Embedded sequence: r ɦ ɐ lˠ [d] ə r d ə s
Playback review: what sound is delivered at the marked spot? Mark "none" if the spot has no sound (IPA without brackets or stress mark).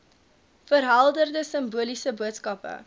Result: d